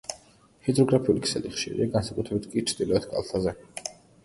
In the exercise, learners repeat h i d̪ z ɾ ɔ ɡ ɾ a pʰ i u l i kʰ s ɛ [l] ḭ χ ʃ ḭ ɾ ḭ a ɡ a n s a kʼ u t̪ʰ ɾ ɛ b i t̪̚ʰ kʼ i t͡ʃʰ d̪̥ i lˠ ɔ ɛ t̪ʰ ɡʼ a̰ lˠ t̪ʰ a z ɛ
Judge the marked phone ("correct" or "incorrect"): correct